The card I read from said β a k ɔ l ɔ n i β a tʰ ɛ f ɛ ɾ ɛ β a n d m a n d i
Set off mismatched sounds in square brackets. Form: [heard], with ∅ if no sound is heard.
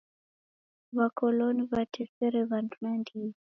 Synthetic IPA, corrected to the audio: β a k ɔ l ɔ n i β a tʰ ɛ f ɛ ɾ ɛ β a n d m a n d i